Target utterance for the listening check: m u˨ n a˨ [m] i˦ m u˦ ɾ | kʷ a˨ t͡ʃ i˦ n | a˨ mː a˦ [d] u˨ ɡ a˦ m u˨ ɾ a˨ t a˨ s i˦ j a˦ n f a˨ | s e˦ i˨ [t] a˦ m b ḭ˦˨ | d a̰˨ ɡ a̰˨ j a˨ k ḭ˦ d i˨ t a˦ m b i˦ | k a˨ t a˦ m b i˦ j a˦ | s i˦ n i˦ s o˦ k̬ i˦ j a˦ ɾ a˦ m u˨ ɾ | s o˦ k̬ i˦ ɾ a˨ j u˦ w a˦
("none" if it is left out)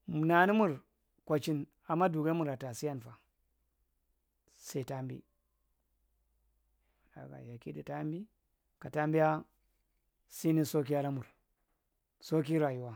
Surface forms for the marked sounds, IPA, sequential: n, d, t

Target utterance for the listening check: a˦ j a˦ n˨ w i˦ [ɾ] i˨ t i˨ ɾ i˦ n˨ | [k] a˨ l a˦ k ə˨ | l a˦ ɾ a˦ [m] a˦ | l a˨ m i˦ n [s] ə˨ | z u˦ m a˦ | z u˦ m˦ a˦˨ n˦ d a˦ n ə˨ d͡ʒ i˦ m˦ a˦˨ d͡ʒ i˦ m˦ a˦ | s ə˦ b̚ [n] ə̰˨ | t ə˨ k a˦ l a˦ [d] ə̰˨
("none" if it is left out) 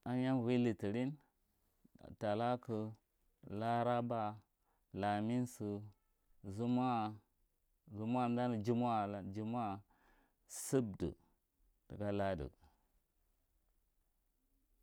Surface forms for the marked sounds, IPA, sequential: l, t, b, s, d, d

